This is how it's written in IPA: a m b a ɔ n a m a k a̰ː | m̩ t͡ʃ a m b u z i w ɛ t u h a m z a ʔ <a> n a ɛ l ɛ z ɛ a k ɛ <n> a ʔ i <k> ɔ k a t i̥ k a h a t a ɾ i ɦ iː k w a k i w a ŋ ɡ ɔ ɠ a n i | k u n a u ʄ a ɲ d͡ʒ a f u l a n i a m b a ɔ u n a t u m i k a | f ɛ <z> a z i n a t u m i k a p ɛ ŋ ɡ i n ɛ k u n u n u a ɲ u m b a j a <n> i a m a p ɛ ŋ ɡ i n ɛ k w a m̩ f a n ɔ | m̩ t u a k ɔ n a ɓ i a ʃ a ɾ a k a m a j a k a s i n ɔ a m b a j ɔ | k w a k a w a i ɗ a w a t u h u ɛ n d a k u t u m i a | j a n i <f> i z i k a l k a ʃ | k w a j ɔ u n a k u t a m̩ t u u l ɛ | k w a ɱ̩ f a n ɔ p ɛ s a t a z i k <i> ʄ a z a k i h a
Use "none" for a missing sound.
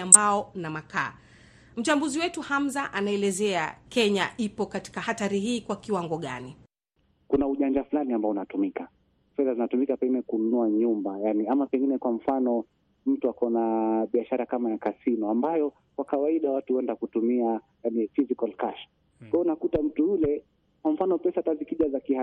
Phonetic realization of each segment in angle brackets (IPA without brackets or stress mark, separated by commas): a, ɲ, p, ð, n, f, i